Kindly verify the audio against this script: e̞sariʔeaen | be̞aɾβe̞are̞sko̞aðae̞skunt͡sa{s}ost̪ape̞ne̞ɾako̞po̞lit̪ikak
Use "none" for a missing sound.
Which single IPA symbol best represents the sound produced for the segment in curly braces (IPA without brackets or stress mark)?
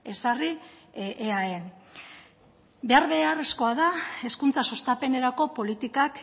s